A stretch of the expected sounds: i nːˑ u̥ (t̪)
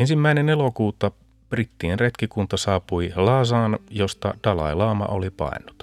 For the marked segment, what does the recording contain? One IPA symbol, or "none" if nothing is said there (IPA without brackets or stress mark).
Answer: t̪